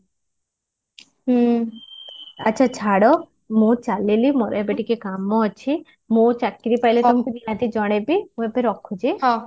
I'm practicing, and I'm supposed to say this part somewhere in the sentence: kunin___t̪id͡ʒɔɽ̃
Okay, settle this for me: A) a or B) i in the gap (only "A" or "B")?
A